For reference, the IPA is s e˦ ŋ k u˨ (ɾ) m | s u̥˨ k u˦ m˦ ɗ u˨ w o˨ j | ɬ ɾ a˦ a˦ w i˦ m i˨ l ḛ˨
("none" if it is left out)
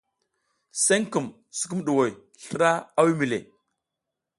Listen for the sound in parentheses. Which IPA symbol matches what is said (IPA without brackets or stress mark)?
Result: none